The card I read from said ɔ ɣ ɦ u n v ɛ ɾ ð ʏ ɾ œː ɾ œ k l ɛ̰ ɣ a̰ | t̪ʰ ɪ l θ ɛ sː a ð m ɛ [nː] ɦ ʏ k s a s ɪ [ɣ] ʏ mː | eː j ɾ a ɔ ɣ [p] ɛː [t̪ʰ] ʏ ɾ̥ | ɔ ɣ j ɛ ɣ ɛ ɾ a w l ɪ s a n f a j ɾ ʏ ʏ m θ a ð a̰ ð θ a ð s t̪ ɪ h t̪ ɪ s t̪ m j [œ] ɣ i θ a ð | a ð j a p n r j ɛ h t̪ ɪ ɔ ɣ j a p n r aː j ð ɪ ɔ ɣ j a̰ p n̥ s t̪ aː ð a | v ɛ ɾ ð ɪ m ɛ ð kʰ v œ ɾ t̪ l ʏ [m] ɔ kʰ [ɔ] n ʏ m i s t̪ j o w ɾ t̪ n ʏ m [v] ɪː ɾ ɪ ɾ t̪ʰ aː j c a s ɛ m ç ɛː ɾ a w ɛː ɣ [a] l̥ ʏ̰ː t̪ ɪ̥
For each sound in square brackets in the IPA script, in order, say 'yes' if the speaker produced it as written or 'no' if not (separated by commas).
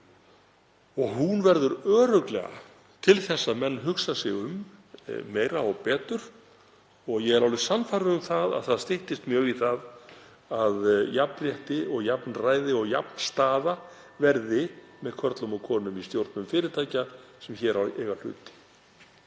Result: yes, yes, yes, no, no, yes, no, no, yes